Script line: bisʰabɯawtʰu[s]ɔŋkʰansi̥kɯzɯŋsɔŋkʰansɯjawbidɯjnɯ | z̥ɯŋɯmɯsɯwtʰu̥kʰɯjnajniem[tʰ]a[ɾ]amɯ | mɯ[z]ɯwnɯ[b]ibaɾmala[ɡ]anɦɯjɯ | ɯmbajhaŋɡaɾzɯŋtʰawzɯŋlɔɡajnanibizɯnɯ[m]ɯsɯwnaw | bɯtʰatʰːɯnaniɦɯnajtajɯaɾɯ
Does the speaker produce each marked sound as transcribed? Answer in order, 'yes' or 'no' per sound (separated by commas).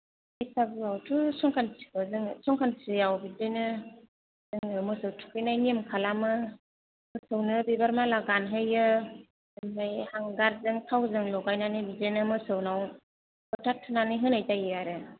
yes, no, no, no, yes, yes, yes